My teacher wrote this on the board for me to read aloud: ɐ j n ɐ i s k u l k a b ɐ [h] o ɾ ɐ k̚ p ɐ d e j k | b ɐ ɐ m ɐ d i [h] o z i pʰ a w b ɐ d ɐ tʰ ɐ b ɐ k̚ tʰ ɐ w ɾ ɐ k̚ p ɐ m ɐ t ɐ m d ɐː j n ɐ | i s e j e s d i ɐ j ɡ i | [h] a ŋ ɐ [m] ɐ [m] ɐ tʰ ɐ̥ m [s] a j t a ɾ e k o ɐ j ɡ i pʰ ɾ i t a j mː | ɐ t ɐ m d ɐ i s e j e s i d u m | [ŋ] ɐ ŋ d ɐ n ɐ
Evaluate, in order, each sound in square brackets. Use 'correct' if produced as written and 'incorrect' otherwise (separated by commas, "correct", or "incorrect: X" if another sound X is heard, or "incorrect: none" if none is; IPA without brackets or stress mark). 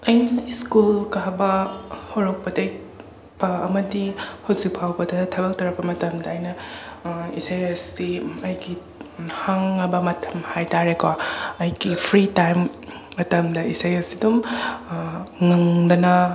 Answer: correct, correct, correct, incorrect: b, correct, incorrect: h, correct